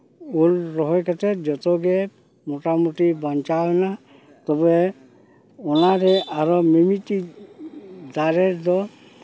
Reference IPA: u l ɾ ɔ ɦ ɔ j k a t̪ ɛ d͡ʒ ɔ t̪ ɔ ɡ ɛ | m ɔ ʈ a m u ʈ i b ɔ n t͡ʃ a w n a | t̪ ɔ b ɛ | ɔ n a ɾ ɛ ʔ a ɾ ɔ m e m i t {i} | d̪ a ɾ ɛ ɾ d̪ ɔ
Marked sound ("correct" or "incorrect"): correct